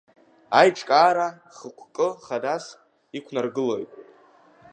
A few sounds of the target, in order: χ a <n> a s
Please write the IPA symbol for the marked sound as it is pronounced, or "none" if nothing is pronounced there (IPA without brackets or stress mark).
d